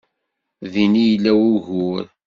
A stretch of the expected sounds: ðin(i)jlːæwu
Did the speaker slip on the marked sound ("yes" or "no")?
no